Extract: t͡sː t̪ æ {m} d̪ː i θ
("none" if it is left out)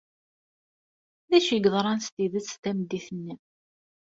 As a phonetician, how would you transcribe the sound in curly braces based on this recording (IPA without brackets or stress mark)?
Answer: m